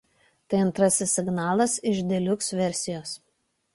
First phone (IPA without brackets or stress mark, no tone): t̪